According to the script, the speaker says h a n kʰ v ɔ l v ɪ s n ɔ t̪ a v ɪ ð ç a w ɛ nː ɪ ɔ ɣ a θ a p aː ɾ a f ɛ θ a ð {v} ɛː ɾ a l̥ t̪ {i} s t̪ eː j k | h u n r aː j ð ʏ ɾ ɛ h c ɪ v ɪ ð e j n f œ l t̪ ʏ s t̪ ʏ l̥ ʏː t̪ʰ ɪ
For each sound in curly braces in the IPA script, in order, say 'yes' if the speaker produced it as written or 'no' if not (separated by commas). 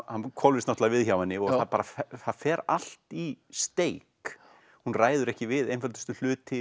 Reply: no, yes